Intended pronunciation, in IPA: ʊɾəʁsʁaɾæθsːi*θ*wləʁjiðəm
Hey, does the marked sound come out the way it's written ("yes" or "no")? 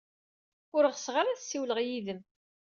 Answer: no